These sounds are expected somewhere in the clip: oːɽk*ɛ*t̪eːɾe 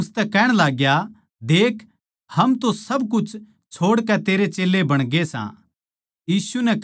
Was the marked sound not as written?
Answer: no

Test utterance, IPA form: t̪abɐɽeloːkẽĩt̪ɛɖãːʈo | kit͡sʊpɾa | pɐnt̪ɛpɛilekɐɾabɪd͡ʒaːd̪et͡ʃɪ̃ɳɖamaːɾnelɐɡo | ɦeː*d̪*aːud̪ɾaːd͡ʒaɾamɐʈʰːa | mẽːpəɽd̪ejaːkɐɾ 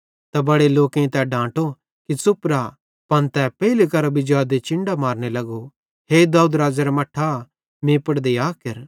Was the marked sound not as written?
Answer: no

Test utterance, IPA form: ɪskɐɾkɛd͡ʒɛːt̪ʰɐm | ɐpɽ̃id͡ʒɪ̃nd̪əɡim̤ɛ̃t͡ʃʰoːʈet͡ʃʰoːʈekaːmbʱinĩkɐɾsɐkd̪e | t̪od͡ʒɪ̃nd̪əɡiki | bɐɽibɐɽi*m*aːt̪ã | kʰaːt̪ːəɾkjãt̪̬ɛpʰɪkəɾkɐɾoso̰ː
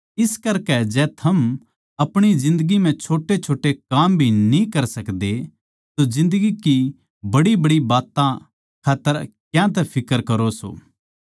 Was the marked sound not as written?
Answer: yes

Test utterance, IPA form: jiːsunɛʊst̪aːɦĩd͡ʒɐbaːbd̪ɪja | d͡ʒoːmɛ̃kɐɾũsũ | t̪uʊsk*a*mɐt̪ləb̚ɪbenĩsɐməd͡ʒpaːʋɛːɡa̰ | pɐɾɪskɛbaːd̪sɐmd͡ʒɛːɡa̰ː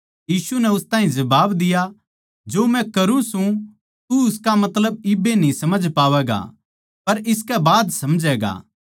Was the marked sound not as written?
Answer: no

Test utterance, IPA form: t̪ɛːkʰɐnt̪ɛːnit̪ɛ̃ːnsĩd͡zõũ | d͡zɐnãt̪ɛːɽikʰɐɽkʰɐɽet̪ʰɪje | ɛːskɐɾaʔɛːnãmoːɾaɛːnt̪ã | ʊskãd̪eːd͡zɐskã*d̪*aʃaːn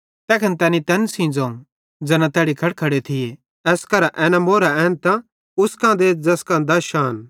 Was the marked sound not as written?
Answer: no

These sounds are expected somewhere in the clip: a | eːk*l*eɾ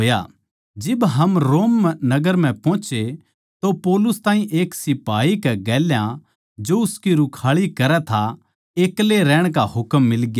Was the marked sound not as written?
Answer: no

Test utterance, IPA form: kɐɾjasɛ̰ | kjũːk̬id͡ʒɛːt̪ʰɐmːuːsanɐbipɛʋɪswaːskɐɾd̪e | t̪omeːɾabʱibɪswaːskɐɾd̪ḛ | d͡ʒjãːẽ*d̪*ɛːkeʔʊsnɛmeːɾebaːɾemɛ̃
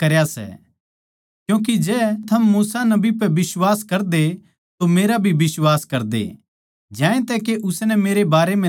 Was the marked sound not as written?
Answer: yes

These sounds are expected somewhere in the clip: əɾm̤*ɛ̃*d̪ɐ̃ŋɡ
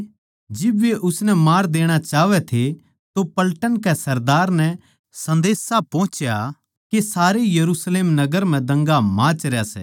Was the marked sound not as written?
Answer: no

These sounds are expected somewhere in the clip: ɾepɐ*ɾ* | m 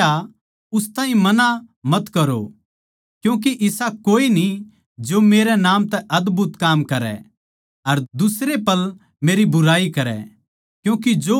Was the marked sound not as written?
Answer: yes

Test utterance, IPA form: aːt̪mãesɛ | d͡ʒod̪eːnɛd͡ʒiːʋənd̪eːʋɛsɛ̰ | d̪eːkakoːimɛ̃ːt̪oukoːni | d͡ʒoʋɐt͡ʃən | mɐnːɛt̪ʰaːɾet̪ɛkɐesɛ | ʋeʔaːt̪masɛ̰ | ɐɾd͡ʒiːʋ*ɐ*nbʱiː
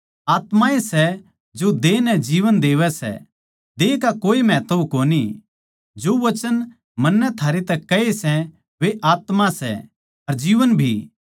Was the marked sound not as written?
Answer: yes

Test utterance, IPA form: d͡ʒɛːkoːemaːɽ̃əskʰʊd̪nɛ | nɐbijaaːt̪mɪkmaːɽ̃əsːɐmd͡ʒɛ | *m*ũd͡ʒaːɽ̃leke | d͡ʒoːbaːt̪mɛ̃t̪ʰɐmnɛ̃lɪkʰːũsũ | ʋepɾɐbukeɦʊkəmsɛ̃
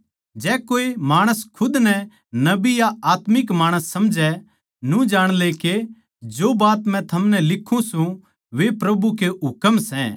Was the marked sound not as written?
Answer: yes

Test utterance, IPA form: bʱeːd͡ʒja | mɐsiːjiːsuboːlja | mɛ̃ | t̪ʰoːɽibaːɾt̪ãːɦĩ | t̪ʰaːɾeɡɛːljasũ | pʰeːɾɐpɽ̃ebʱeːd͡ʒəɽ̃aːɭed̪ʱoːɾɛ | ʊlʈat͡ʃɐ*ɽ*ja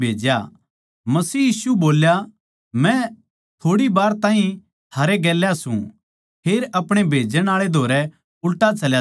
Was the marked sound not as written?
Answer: yes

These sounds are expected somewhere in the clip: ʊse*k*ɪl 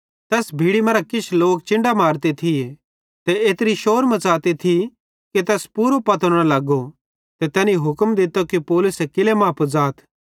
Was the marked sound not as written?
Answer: no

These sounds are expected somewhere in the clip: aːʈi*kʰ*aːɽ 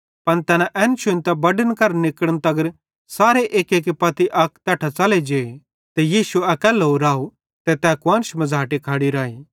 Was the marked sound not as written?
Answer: no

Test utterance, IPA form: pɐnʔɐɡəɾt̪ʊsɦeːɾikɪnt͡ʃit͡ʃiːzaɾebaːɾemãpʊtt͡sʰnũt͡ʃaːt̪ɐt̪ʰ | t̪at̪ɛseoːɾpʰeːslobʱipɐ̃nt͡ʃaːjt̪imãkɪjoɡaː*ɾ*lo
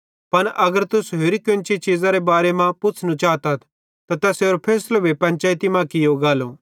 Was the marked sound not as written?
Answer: yes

